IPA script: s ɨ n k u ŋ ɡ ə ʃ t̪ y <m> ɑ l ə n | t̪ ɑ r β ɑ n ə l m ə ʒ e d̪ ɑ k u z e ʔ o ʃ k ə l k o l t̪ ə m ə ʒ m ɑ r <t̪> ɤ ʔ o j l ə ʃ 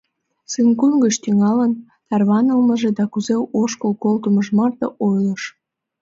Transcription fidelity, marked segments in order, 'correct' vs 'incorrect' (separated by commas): incorrect, correct